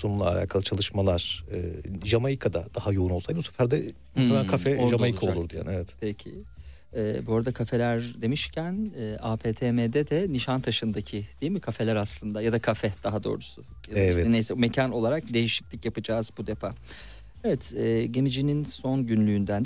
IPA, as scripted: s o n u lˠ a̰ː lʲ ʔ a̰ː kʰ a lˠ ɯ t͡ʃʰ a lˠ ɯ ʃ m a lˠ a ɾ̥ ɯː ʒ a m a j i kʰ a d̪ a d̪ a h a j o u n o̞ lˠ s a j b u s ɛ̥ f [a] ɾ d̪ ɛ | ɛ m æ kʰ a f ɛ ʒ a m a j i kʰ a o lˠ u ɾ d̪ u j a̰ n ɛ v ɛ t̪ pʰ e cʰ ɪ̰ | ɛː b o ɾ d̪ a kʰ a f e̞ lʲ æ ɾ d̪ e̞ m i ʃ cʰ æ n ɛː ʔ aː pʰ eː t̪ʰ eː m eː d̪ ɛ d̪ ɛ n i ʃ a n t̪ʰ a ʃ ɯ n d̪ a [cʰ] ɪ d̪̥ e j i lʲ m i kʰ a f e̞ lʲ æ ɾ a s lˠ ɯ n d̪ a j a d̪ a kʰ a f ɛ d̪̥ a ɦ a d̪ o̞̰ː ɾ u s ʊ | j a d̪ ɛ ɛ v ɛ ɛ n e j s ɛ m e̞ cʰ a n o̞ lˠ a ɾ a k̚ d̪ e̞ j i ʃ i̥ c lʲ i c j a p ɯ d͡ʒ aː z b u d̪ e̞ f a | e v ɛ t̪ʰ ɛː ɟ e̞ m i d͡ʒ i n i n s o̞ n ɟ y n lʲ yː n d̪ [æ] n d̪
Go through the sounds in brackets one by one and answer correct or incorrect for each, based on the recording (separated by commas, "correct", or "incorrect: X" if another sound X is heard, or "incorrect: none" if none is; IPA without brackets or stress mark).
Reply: incorrect: æ, correct, correct